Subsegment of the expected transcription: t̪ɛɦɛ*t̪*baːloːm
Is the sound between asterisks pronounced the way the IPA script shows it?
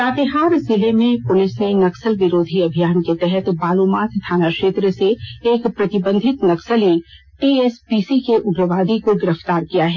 yes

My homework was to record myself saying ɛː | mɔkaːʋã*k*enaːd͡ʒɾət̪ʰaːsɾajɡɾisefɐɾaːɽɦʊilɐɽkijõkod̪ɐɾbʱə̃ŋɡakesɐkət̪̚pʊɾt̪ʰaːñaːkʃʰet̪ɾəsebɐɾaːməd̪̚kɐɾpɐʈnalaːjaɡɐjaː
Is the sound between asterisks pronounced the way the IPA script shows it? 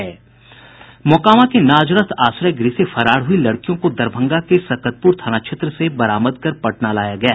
yes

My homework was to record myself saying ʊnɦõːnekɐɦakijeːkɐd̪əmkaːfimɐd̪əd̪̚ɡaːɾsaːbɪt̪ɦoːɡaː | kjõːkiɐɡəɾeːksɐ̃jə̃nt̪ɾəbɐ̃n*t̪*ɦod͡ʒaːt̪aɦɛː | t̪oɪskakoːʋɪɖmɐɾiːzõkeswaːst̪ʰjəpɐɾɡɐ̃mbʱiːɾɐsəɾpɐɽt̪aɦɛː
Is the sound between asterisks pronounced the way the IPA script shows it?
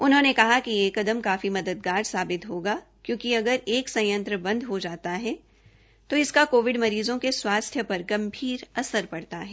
no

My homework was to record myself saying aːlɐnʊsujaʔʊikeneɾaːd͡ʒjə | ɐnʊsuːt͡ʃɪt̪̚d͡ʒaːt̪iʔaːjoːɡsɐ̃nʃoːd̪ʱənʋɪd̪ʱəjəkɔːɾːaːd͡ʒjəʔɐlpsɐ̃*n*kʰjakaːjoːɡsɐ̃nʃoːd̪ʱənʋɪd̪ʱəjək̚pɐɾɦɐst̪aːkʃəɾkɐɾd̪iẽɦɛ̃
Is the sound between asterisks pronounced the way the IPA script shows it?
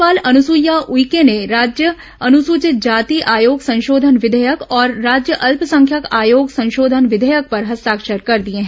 no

